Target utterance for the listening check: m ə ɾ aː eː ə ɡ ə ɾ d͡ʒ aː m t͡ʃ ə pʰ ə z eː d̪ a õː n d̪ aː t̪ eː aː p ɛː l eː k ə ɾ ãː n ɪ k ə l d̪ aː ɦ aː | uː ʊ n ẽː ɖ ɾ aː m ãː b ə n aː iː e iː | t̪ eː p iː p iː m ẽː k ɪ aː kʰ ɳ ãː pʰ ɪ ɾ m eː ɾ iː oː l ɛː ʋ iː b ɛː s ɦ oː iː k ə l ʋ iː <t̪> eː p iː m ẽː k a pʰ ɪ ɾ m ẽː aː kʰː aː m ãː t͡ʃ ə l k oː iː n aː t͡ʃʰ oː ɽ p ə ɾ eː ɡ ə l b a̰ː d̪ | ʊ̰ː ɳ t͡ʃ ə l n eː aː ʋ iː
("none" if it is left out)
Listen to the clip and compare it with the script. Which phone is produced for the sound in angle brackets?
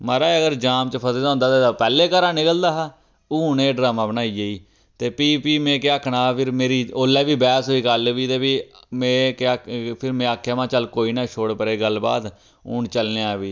t̪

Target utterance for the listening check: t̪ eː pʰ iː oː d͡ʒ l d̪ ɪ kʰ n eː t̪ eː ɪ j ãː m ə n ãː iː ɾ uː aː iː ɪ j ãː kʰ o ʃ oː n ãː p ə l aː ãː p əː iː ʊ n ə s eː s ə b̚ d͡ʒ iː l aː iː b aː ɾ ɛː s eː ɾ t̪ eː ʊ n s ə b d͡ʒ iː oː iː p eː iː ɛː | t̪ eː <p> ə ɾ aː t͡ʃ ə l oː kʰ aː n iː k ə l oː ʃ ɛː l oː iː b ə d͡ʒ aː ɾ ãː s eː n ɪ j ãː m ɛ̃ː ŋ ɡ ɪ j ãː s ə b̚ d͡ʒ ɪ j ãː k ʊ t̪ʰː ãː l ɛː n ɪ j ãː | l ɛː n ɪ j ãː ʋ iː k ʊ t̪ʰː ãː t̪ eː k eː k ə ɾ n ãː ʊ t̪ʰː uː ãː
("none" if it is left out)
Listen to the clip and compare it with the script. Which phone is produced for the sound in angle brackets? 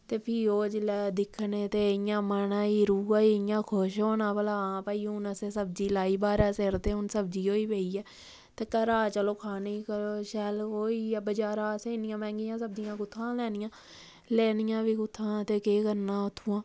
k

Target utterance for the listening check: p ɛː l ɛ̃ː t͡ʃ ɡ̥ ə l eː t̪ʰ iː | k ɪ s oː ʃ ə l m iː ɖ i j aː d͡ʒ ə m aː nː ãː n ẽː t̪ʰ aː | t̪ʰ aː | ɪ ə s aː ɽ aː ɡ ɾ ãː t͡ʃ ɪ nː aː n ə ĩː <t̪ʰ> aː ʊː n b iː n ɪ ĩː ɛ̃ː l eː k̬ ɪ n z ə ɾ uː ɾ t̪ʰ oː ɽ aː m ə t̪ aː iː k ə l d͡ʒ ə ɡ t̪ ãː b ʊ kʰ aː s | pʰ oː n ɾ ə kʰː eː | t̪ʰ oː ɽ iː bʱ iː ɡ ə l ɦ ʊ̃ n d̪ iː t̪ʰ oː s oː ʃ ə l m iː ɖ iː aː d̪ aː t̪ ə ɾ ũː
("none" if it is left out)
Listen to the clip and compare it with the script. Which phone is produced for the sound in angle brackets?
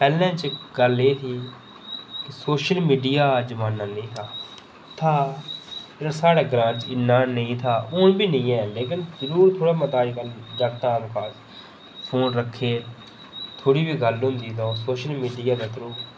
t̪ʰ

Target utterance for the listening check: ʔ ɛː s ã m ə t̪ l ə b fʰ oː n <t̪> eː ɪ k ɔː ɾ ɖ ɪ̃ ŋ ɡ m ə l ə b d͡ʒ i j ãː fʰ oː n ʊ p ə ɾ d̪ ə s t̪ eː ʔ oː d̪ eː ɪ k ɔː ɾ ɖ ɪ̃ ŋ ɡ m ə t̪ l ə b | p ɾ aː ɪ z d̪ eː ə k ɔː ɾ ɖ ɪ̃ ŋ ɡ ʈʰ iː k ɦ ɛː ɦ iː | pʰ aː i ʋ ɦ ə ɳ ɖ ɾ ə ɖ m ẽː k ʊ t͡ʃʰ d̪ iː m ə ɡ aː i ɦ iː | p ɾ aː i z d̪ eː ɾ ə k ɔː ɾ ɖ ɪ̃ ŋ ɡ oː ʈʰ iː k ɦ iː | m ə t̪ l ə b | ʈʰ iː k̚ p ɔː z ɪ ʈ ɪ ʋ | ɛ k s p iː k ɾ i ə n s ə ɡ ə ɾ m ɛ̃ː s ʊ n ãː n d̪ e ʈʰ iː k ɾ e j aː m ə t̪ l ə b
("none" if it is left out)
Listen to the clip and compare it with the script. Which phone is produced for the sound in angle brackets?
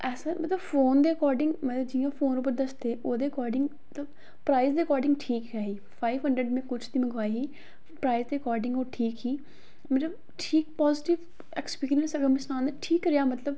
d̪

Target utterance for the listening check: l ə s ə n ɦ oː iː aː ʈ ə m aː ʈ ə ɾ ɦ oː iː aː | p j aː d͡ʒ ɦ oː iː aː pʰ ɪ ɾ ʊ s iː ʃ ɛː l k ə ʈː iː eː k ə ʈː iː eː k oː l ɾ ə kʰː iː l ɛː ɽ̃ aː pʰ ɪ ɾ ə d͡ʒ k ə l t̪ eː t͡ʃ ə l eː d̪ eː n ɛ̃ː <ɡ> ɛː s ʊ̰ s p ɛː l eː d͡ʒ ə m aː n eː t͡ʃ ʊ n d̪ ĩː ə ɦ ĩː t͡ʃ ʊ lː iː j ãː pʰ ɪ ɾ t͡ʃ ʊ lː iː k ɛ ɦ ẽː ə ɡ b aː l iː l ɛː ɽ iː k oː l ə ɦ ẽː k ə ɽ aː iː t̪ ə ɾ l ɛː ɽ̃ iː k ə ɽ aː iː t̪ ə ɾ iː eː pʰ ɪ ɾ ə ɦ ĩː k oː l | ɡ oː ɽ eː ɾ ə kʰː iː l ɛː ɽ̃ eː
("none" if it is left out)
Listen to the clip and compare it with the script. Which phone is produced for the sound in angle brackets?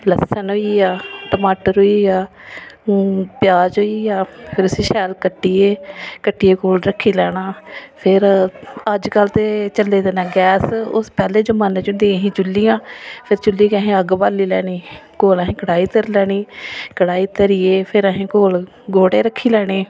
ɡ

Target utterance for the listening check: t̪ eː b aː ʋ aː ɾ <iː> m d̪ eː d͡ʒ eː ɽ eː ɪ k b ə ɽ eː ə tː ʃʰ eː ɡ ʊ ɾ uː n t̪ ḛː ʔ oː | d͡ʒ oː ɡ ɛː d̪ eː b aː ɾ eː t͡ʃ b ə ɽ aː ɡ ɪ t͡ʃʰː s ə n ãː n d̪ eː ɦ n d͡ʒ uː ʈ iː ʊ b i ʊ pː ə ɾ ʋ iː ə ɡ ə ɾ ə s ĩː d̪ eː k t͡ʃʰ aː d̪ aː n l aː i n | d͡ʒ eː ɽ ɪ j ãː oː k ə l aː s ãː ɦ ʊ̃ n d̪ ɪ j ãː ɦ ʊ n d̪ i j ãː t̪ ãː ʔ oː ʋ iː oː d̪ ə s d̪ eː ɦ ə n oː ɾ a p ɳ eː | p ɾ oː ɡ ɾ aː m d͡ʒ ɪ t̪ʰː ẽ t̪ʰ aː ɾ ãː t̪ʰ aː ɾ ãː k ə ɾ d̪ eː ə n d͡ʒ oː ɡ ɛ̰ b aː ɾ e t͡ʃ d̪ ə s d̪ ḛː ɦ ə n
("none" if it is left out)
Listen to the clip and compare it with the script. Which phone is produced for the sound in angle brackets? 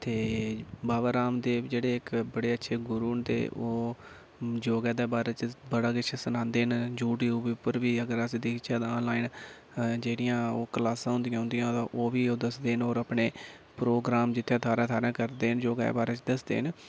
aː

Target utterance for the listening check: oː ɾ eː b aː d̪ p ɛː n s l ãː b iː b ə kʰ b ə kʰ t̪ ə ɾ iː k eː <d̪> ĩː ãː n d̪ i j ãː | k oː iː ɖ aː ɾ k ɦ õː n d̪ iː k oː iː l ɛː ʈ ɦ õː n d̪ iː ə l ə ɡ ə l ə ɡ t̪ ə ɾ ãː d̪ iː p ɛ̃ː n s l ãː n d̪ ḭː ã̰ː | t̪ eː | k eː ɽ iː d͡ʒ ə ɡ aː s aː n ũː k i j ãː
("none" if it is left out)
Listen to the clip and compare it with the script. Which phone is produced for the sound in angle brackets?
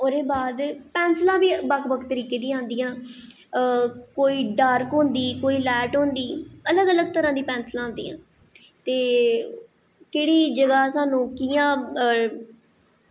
d̪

